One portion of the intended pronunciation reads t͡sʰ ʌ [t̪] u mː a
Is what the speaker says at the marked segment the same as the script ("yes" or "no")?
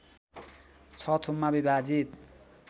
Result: no